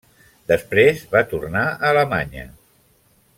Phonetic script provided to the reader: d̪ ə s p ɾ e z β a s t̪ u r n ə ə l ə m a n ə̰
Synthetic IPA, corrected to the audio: d̪ ə s p ɾ e z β a t̪ u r n a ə l ə m a ɲ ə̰